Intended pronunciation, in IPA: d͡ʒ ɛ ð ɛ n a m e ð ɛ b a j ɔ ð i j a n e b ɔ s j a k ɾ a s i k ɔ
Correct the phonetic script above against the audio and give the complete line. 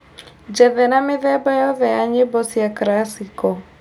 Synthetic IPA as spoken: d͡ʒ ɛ ð ɛ n a m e ð ɛ b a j ɔ ð ɛ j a ɲ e b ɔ s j a k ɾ a s i k ɔ